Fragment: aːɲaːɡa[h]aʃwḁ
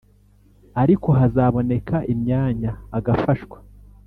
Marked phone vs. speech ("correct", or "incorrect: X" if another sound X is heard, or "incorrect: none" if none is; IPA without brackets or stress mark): incorrect: f